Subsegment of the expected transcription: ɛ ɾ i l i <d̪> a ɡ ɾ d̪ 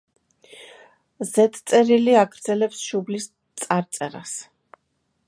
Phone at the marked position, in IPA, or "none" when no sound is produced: none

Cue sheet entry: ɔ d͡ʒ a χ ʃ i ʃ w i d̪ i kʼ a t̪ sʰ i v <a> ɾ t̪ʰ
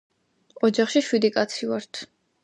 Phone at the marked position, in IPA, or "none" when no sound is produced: a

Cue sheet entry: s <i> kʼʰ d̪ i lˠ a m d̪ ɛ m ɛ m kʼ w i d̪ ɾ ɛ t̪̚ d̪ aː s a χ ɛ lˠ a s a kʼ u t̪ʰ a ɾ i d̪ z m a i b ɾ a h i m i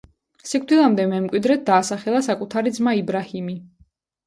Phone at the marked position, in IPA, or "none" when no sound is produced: i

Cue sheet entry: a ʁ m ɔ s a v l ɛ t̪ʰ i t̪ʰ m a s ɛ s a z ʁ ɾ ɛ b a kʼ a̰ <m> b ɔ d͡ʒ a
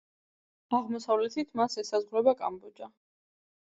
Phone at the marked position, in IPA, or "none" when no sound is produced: m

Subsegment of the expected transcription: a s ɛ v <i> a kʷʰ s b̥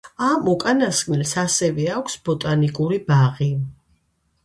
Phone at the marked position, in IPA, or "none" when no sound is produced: ɛ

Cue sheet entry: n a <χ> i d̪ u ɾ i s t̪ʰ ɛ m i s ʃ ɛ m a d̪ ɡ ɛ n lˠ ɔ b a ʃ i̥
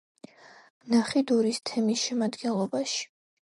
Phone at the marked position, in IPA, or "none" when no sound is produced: χ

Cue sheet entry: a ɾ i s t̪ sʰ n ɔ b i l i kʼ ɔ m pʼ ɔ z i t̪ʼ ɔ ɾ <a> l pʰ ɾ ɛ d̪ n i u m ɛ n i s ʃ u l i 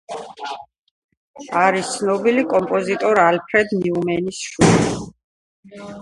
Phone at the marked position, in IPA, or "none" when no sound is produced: a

